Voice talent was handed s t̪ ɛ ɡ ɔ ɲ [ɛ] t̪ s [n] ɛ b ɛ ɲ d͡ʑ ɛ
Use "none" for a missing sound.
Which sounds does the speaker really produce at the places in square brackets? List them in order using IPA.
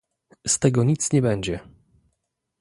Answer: i, ɲ

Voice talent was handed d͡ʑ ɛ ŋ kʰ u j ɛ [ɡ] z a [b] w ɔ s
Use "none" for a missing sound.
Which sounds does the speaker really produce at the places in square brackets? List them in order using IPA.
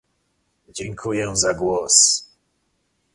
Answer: none, ɡ

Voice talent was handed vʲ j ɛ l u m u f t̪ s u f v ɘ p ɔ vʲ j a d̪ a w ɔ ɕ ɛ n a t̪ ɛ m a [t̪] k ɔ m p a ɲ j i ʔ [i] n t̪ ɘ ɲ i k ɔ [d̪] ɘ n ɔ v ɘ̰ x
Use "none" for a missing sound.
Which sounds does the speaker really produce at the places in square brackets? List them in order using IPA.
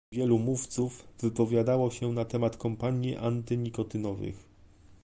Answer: t̪, a, t̪

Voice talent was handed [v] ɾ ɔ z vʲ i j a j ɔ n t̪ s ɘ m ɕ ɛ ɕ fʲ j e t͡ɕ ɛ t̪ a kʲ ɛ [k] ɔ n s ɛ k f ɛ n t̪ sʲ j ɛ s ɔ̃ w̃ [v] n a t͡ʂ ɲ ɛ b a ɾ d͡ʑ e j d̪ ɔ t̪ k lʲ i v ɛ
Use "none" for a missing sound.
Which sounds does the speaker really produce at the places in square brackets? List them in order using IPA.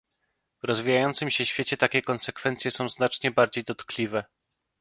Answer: v, k, z

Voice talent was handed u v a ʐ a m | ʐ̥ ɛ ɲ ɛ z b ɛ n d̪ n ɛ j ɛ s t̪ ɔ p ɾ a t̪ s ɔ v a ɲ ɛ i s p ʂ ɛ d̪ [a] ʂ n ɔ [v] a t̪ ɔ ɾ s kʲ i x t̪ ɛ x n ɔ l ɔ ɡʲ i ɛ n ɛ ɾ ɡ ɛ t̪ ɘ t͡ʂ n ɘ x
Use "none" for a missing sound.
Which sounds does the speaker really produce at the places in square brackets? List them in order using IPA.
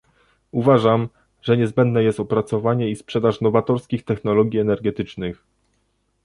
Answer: a, v

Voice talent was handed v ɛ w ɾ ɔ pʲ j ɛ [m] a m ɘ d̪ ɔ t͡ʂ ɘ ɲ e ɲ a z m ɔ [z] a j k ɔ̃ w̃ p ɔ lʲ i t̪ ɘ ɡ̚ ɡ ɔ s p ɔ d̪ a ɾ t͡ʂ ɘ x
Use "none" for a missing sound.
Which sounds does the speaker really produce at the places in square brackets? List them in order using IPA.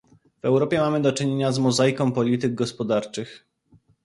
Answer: m, z

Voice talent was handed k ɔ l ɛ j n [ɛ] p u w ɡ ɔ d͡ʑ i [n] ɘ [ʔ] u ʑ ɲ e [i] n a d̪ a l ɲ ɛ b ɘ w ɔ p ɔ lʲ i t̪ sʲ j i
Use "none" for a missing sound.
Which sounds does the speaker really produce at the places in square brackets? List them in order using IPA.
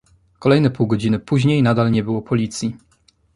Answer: ɛ, n, p, j

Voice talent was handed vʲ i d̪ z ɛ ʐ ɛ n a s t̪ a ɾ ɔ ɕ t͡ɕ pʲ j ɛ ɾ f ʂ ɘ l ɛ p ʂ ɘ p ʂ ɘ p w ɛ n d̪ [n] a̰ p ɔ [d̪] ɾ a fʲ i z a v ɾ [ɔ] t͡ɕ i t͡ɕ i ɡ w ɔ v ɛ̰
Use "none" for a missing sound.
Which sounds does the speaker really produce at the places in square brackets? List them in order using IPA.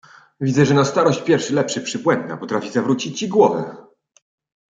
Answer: n, t̪, u

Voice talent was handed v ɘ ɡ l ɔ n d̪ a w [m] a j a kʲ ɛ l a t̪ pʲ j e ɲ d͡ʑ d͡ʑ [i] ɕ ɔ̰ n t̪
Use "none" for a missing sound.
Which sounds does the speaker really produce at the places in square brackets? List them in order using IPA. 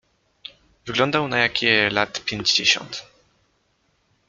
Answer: n, e

